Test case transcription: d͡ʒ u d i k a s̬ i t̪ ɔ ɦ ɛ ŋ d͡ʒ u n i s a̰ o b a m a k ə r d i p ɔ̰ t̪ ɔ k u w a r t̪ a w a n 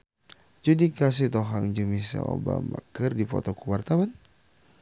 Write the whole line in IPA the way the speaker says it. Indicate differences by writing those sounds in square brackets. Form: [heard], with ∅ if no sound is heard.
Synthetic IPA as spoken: d͡ʒ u d i k a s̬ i t̪ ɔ ɦ [a] ŋ d͡ʒ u [m] i s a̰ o b a m a k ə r d i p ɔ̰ t̪ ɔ k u w a r t̪ a w a n